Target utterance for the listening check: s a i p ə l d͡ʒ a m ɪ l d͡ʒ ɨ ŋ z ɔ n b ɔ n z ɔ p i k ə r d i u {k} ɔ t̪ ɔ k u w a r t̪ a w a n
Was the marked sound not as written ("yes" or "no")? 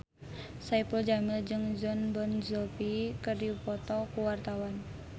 yes